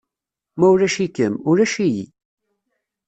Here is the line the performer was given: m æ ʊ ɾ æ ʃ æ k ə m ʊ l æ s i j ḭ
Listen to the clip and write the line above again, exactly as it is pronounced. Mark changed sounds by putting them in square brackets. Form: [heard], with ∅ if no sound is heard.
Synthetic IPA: m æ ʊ ɾ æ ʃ [i] k ə m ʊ [ɾ] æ [ʃ] i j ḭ

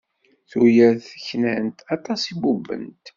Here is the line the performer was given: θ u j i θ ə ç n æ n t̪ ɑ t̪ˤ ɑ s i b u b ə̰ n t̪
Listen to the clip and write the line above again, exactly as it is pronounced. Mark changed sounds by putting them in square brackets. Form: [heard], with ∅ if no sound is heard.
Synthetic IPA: θ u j [æ] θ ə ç n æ n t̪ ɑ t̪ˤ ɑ s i b u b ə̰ n t̪

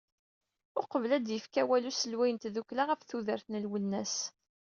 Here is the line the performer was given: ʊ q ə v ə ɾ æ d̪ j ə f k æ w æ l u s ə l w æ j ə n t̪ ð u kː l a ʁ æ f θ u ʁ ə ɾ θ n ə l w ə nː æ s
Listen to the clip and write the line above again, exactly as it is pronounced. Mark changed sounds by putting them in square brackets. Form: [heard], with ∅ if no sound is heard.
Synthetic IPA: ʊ q ə v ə [l] æ d̪ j ə f k æ w æ l u s ə l w æ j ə n t̪ ð u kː l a ʁ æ f θ u [ð] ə ɾ θ n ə l w ə nː æ s

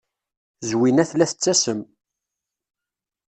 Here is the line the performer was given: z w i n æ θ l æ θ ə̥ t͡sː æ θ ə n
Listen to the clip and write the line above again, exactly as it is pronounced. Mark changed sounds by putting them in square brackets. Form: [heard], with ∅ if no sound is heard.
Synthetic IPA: z w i n æ θ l æ θ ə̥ t͡sː æ [s] ə [m]

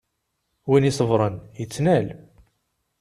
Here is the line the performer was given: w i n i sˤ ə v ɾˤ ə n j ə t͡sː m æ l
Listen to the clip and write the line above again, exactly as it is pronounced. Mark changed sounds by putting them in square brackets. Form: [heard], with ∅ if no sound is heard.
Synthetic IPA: w i n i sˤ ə v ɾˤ ə n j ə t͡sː [n] æ l

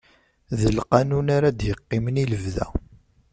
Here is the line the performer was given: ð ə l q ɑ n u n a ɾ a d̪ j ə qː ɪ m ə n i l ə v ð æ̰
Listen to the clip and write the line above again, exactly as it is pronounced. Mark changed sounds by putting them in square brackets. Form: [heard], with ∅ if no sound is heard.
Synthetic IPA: ð ə l q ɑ n u n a ɾ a d̪ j ə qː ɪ m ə n i l ə v ð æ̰

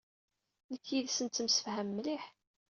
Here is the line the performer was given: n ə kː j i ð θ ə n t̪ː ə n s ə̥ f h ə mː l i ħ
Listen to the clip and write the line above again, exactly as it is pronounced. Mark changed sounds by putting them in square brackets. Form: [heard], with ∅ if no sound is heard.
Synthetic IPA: n ə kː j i ð [s] ə n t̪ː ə [m] s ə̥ f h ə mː l i ħ

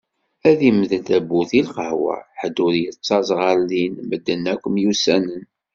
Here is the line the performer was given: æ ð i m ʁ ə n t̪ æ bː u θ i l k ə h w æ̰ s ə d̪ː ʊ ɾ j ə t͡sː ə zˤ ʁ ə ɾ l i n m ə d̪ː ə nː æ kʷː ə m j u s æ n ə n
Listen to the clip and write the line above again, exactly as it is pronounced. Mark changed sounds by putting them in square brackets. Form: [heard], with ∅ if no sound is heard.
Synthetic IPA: æ ð i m [ð] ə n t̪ æ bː u θ i l [q] ə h w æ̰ [ħ] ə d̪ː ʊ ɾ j ə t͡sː [ɑ] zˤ ʁ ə ɾ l i n m ə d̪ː ə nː æ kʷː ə m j u s æ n ə n

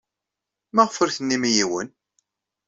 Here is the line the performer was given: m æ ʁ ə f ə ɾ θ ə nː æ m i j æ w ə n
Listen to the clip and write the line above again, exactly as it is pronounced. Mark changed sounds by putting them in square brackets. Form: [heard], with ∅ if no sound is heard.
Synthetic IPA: m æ ʁ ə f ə ɾ θ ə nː [i] m i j [i] w ə n

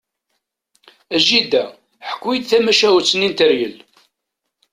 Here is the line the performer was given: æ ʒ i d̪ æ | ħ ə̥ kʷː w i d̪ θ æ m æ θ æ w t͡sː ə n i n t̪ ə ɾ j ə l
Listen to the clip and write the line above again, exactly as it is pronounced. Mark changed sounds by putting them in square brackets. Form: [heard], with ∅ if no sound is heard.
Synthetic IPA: æ ʒ i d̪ æ | ħ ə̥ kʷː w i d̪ θ æ m æ [ʃ] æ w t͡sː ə n i n t̪ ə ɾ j ə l

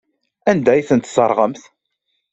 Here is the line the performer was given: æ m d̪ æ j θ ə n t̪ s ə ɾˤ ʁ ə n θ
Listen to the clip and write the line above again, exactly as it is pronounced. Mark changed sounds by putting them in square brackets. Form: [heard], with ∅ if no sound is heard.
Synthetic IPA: æ [n] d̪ æ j θ ə n t̪ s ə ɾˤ ʁ ə [m] θ

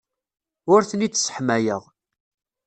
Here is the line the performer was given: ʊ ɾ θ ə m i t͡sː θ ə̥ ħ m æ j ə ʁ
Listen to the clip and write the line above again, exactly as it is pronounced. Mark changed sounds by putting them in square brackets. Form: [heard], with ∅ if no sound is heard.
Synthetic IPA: ʊ ɾ θ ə [n] i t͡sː [s] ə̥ ħ m æ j ə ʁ

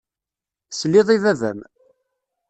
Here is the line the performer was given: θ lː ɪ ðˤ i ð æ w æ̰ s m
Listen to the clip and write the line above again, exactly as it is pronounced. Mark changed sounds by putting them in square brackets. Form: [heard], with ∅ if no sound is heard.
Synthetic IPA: [s] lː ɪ ðˤ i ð æ [v] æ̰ [∅] m

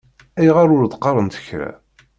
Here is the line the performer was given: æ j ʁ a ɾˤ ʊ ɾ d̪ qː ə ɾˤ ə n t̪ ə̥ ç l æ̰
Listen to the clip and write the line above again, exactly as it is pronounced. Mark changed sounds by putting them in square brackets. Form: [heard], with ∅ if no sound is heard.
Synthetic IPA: æ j ʁ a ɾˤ ʊ ɾ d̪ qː [ɑ] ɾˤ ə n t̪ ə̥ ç [ɾ] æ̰

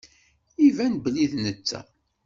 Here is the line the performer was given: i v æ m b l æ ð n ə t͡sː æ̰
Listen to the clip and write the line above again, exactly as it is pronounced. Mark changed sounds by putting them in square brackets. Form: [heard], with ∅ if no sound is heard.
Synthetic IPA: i v æ [n] b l [i] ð n ə t͡sː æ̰

